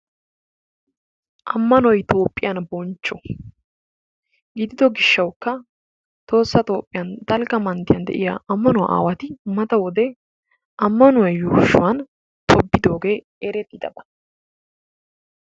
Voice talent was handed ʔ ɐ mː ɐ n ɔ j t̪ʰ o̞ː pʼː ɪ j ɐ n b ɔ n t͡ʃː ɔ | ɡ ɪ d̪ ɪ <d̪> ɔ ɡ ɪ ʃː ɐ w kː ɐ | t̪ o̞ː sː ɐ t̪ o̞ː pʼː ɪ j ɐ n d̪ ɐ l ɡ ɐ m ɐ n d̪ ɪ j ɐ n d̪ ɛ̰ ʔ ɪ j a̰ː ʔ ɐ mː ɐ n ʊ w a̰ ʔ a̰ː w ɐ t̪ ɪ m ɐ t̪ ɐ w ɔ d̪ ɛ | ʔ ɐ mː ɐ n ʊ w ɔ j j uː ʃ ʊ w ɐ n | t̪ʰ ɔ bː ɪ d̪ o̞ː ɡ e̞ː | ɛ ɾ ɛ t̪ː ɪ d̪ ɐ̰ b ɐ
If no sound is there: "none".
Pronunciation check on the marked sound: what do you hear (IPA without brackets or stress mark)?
d̪